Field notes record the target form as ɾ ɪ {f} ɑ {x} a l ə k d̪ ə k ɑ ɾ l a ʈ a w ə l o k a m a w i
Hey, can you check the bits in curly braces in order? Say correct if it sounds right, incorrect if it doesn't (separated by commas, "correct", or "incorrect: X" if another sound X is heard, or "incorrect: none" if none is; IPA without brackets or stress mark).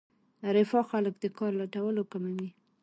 correct, correct